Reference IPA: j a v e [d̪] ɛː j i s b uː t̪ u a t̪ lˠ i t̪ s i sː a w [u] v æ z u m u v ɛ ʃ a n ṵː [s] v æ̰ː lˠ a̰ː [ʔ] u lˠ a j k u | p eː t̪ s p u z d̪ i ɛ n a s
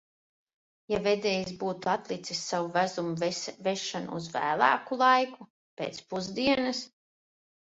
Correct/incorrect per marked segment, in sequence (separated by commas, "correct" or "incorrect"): correct, correct, incorrect, incorrect